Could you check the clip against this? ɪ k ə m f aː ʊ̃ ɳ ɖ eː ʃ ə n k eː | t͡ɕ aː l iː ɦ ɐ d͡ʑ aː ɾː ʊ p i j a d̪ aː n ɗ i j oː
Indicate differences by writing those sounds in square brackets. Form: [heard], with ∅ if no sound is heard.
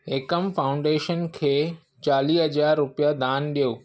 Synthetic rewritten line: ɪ k ə m f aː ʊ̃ ɳ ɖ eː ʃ ə n [kʰ] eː | t͡ɕ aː l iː ɦ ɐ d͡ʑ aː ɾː ʊ p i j a d̪ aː n ɗ i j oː